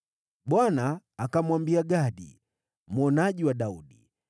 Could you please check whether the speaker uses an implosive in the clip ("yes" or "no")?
yes